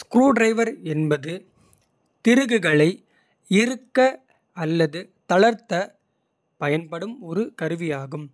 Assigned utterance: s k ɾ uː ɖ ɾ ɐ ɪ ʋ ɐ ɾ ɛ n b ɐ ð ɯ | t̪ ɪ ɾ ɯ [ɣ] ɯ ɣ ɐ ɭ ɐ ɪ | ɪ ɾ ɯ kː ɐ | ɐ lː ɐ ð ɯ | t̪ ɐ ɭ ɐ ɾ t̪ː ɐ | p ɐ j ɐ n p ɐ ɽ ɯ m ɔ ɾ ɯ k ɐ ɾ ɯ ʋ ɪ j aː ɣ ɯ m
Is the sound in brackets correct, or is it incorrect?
correct